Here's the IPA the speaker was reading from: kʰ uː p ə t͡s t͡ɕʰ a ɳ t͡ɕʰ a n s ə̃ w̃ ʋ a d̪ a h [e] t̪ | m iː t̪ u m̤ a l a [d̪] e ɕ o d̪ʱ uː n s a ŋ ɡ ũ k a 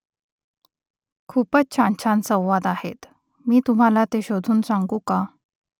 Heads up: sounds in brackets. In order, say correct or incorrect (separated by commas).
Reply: correct, incorrect